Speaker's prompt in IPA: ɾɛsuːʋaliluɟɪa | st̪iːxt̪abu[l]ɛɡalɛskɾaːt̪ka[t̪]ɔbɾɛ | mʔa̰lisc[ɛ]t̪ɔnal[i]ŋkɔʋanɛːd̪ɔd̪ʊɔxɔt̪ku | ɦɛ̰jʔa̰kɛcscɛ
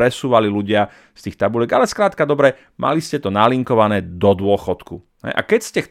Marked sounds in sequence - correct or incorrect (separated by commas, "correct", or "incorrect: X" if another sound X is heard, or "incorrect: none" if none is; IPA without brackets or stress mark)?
correct, incorrect: d̪, correct, correct